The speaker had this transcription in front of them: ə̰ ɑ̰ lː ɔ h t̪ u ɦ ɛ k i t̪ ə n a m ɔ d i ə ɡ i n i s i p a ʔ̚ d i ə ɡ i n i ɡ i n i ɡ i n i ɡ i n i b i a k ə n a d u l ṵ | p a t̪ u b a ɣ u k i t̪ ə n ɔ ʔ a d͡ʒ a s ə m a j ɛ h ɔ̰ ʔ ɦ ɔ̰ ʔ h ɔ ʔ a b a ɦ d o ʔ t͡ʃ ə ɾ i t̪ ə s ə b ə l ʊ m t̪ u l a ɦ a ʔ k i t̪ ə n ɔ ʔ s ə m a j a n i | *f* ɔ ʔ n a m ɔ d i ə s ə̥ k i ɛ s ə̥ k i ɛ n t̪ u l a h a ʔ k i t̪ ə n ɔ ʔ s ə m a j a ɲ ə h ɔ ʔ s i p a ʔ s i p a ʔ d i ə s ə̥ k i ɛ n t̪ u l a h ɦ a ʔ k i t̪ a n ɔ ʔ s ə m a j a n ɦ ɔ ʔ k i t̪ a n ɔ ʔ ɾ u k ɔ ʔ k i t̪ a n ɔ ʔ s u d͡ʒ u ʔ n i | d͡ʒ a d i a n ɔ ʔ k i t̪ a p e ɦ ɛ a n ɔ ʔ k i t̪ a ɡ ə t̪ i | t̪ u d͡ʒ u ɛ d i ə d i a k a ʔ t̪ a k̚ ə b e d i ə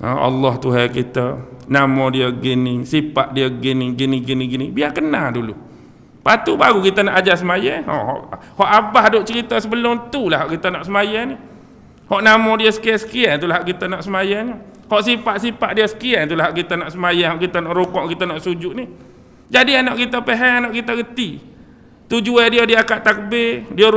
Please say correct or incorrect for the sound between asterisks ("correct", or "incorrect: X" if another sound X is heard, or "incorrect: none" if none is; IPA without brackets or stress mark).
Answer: incorrect: h